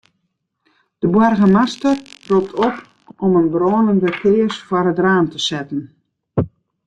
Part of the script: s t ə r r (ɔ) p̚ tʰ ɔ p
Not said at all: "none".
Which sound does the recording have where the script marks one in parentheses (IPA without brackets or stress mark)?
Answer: u